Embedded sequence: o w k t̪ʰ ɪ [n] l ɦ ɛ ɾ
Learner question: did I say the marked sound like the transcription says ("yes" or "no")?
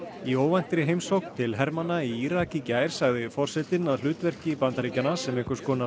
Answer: no